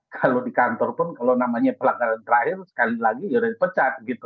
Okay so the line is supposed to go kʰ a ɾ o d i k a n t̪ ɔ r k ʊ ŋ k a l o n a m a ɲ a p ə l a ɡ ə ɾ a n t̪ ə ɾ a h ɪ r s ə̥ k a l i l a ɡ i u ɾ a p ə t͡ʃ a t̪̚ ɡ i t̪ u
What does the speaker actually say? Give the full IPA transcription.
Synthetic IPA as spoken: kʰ a l o d i k a n t̪ ɔ r p ʊ n k a l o n a m a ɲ a p ə l a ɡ a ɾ a n t̪ ə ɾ a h ɪ r s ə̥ k a l i l a ɡ i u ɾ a p ə t͡ʃ a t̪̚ ɡ i t̪ u